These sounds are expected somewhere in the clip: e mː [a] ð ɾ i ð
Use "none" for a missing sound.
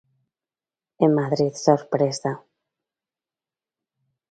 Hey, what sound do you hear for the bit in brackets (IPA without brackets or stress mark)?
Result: a